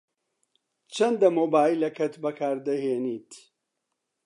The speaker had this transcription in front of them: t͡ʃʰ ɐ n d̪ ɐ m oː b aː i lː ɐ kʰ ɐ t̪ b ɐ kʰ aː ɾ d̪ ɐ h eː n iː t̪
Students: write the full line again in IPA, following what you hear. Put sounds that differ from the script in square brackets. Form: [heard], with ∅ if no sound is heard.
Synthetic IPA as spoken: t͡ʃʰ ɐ n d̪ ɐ m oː b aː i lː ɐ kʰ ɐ t̪ b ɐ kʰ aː ɾ d̪ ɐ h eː n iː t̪